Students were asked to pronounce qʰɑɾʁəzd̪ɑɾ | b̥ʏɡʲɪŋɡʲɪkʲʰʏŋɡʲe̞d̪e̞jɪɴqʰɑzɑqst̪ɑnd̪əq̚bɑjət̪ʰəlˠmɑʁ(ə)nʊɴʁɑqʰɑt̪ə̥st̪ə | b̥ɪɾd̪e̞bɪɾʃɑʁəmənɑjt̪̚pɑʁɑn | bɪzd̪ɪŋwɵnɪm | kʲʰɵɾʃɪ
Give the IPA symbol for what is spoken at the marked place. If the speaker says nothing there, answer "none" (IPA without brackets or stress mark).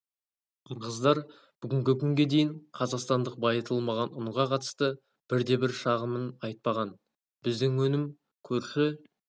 ɑ